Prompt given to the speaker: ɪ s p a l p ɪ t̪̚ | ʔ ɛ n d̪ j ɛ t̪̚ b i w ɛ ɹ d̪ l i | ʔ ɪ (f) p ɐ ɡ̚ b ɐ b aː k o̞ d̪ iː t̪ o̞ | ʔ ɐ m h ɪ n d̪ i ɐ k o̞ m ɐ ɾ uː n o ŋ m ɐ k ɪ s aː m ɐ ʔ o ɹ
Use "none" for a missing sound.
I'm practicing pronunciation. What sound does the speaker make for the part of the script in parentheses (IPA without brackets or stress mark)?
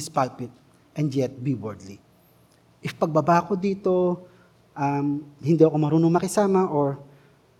f